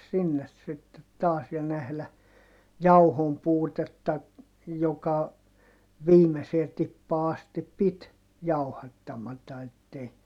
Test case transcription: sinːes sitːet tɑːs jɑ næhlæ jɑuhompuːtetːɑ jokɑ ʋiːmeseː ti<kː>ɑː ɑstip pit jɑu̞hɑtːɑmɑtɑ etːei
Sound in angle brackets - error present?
yes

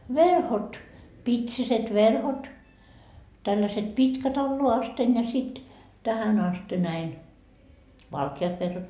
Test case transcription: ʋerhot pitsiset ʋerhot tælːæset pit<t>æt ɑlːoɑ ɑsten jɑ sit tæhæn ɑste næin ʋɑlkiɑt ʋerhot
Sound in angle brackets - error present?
yes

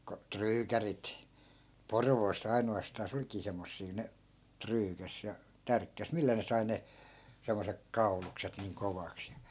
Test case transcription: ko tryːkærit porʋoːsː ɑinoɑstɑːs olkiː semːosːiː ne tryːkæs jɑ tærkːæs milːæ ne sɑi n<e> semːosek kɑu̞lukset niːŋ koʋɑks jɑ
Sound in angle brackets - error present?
no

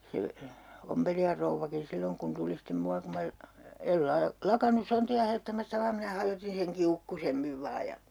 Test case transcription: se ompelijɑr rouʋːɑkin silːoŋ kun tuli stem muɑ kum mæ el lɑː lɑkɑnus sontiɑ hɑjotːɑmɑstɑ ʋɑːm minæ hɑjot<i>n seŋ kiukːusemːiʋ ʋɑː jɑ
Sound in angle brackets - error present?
no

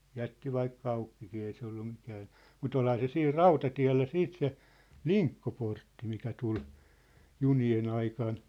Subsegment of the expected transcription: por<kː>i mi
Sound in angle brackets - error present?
yes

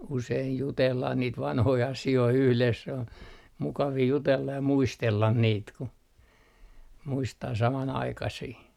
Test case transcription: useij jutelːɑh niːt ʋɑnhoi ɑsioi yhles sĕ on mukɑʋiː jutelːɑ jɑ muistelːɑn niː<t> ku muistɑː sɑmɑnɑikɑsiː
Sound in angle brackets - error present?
no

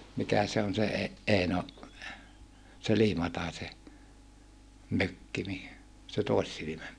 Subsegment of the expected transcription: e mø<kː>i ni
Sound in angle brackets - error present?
no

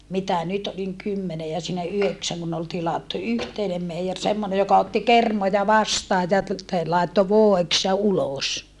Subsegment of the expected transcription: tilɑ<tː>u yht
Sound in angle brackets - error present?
no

